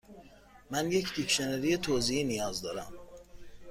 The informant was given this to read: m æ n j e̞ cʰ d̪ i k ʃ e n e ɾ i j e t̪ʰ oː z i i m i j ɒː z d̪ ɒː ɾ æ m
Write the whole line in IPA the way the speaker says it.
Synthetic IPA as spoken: m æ n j e̞ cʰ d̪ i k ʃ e n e ɾ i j e t̪ʰ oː z i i n i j ɒː z d̪ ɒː ɾ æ m